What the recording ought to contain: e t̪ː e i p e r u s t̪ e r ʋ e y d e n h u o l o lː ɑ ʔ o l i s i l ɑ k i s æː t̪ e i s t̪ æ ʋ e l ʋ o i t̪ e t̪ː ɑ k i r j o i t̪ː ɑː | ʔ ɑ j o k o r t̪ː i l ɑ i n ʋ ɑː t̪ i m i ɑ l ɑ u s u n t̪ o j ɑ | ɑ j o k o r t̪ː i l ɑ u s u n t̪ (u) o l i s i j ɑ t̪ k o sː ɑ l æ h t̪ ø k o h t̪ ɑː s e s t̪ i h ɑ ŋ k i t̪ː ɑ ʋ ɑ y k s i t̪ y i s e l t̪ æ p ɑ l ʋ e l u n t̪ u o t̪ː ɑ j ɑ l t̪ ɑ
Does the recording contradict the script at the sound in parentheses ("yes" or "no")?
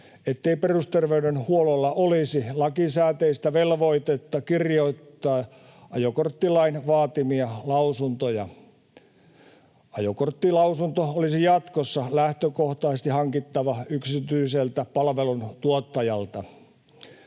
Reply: yes